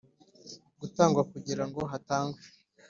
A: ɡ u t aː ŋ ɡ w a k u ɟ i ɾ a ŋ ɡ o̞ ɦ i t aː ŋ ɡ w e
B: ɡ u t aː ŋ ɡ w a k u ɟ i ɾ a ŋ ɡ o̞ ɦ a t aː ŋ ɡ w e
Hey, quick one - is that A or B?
B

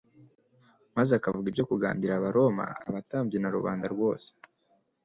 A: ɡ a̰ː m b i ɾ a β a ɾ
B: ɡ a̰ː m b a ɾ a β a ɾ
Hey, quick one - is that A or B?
A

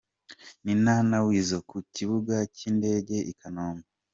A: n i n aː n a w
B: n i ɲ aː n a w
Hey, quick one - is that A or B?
A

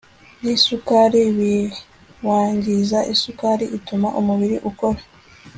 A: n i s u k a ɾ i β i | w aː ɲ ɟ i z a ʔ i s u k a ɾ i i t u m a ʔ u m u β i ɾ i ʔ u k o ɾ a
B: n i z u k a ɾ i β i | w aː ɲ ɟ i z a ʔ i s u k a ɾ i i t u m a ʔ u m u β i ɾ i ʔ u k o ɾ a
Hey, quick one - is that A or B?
A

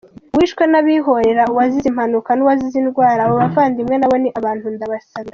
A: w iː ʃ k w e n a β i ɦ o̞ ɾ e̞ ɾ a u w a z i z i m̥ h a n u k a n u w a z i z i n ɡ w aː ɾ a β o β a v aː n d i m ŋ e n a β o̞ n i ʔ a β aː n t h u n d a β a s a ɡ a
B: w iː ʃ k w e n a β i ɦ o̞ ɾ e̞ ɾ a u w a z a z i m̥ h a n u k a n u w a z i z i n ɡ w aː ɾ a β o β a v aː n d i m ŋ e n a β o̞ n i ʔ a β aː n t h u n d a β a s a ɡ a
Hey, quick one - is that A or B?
A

